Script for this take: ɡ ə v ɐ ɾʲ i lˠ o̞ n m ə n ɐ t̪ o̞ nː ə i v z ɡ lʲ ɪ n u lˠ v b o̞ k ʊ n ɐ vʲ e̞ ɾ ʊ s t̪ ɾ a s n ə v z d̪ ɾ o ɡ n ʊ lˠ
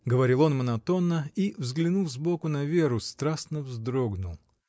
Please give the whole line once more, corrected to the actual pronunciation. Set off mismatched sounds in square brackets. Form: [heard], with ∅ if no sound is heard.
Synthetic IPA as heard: ɡ ə v ɐ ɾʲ i lˠ o̞ n m ə n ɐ t̪ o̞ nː ə i v z ɡ lʲ ɪ n u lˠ [z] b o̞ k ʊ n ɐ vʲ e̞ ɾ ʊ s t̪ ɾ a s n ə v z d̪ ɾ o ɡ n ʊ lˠ